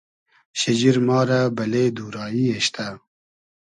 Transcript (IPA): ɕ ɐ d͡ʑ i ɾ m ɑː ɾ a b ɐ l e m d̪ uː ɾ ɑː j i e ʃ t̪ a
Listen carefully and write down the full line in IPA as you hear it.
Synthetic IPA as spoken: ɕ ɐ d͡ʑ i ɾ m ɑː ɾ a b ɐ l e d̪ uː ɾ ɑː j i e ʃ t̪ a